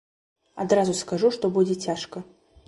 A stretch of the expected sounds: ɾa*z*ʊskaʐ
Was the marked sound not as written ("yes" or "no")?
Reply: no